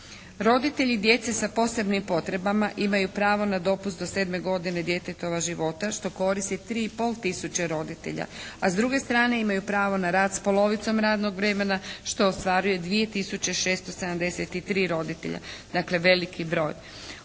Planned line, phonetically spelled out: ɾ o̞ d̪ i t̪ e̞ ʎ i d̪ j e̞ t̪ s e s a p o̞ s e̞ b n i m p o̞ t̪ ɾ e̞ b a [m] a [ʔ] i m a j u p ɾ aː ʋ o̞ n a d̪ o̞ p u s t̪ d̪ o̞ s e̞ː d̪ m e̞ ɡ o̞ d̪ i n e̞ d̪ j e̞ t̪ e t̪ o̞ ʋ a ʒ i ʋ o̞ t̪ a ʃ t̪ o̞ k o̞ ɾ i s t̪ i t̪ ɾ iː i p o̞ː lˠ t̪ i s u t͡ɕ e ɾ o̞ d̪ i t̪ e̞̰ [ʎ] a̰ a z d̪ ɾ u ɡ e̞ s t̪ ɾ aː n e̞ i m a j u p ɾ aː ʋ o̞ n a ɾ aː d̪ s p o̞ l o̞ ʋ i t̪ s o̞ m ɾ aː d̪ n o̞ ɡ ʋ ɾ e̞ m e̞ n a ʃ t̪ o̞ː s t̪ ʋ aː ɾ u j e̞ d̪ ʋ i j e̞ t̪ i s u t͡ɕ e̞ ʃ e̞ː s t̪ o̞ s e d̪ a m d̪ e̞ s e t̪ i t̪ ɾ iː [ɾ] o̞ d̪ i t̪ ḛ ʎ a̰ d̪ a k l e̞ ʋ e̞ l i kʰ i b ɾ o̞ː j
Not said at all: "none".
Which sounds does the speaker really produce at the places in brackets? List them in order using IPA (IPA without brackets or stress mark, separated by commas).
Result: m, ʔ, ʎ, ɾ